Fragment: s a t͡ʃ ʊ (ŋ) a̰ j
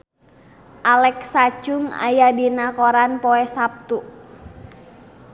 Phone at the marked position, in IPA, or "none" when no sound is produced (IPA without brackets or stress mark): ŋ